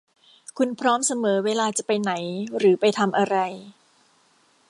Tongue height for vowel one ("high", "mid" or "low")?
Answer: high